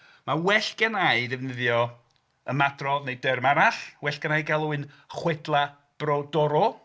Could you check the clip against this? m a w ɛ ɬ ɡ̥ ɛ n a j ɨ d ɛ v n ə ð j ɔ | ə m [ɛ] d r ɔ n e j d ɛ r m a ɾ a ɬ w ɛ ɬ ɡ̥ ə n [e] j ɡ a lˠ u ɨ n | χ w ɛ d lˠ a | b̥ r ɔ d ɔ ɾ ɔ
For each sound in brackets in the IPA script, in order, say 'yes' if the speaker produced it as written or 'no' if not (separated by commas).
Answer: no, no